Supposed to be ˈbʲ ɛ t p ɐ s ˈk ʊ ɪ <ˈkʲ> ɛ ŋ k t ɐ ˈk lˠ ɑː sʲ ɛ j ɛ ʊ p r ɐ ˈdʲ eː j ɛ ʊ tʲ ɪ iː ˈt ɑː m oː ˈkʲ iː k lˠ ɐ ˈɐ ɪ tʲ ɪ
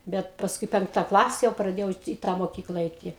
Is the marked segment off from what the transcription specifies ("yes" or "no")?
yes